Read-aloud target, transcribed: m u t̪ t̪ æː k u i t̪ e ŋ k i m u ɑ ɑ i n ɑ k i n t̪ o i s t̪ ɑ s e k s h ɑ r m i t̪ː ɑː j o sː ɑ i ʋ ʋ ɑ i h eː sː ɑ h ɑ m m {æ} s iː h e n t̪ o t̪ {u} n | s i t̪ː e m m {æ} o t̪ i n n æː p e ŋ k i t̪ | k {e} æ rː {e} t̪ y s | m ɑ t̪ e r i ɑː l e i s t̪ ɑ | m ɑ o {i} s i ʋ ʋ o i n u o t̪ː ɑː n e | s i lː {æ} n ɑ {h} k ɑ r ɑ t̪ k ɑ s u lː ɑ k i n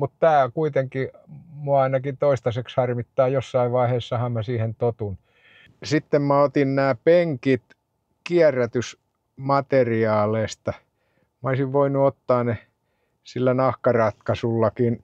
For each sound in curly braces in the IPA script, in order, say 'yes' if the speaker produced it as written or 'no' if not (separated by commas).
yes, yes, yes, no, no, yes, yes, yes